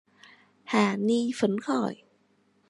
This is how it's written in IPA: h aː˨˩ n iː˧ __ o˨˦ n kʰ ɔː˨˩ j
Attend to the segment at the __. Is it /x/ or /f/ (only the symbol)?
f